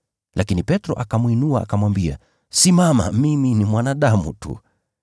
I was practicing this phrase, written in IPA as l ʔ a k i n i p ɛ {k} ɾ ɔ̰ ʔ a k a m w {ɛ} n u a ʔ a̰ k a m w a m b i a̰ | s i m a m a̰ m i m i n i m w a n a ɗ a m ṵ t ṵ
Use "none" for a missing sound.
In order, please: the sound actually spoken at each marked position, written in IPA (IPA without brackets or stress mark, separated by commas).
t, i